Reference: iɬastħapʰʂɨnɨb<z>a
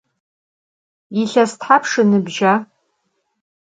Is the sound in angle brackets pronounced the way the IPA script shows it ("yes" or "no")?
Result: no